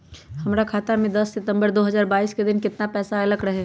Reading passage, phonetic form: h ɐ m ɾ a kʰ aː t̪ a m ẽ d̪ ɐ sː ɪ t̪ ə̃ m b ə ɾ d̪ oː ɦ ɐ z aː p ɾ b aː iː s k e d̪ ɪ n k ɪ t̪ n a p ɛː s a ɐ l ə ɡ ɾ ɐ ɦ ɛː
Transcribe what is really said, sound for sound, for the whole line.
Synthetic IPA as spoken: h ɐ m ɾ a kʰ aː t̪ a m ẽ d̪ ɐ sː ɪ t̪ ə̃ m b ə ɾ d̪ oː ɦ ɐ z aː ɾ b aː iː s k e d̪ ɪ n k ɪ t̪ n a p ɛː s a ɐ l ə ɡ ɾ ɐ ɦ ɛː